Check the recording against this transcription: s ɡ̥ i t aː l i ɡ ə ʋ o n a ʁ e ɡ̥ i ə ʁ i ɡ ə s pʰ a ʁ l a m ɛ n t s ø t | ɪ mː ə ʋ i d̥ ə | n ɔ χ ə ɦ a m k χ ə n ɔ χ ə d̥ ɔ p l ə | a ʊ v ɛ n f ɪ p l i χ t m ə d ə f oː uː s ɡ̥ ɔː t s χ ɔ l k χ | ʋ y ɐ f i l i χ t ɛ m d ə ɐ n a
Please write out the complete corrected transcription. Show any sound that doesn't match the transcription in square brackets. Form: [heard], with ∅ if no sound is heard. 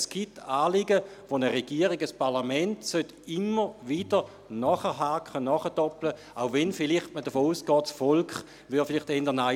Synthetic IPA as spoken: s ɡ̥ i t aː l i ɡ ə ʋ o n [ə] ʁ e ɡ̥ i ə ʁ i ɡ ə s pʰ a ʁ l a m ɛ n t s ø t | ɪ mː ə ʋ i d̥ ə | n ɔ χ ə ɦ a [∅] k χ ə n ɔ χ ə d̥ ɔ p l ə | a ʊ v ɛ n f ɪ [∅] l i χ t m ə d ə f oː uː s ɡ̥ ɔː t s [f] ɔ l k χ | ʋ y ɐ f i l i χ t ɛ [n] d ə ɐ n a